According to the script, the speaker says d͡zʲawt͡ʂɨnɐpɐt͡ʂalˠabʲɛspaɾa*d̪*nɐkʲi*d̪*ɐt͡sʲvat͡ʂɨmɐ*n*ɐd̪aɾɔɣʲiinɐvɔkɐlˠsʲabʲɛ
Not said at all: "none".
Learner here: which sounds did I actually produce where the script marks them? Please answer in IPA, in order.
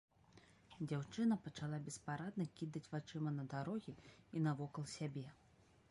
d̪, d̪, n

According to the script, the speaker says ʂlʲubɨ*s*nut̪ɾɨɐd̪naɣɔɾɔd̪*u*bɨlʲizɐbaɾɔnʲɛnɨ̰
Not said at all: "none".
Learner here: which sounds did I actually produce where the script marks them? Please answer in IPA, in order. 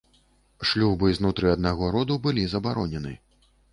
z, u

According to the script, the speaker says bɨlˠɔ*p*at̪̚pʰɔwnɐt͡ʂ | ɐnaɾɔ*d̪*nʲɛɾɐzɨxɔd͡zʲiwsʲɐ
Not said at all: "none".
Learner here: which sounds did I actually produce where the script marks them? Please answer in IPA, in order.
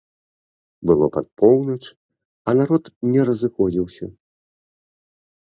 p, t̪

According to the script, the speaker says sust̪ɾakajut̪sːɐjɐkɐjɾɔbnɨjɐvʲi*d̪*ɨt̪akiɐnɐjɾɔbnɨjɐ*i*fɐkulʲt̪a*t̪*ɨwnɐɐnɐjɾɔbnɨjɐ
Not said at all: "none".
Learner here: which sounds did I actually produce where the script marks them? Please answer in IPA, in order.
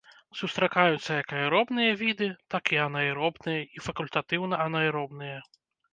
d̪, i, t̪

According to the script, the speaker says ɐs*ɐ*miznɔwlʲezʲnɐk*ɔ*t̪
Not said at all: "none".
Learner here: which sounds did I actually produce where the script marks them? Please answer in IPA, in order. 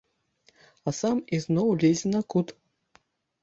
a, u

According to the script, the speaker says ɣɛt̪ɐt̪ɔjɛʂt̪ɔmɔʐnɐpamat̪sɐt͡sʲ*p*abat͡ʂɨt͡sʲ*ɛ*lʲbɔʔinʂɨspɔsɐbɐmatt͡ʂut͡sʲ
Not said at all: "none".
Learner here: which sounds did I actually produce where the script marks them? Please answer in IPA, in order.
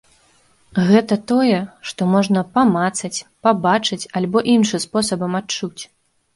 p, a

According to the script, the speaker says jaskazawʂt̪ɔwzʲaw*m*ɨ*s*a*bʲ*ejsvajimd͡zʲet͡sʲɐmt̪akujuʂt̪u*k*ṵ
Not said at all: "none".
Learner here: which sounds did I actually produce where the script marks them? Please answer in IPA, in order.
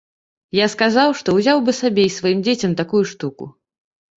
b, s, bʲ, k

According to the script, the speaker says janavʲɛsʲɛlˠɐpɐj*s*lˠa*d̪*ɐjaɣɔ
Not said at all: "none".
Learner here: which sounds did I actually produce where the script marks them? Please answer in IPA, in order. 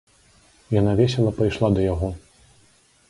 ʂ, d̪

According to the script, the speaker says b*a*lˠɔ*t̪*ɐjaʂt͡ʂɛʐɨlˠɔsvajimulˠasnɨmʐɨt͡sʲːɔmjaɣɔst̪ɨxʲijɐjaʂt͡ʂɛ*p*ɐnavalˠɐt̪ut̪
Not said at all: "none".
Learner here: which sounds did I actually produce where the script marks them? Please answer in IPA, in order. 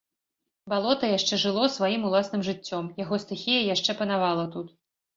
a, t̪, p

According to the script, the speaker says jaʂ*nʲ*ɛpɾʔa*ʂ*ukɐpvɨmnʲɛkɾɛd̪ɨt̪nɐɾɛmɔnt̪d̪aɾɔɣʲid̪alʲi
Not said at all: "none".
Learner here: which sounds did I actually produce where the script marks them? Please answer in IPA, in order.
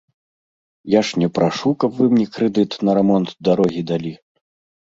nʲ, ʂ

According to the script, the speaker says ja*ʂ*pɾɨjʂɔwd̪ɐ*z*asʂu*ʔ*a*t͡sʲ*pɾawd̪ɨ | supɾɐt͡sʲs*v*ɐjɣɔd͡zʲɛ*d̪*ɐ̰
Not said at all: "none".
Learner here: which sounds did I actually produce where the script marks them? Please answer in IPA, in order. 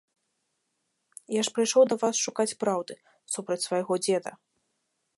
ʂ, v, k, t͡sʲ, v, d̪

